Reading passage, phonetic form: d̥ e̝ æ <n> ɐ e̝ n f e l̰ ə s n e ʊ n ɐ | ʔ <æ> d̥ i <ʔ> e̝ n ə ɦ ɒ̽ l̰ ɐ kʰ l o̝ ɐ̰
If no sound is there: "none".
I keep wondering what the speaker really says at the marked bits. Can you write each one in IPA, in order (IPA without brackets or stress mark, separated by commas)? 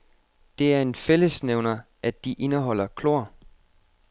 none, æ, ʔ